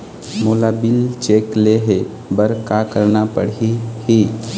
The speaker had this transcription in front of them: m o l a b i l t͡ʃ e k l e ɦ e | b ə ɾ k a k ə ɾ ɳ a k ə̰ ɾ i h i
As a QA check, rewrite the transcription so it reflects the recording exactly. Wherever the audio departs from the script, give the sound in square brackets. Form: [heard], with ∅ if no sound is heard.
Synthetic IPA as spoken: m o l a b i l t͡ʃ e k l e ɦ e | b ə ɾ k a k ə ɾ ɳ a [p] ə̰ [ɽ] i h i